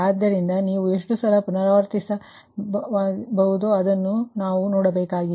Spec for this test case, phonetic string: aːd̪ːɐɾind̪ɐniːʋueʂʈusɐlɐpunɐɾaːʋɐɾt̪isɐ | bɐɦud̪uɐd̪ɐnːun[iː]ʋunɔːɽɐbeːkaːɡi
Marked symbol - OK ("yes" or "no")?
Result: no